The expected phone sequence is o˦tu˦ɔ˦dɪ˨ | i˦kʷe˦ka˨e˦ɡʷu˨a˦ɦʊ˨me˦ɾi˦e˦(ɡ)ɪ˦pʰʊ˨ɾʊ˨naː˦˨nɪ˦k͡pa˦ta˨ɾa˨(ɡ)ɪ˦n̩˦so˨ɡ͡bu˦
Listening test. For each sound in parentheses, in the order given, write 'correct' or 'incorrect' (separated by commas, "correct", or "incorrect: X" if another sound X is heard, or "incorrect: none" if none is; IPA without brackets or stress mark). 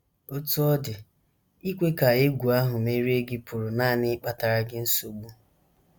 correct, correct